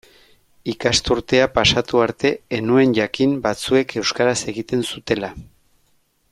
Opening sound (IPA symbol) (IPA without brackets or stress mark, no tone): i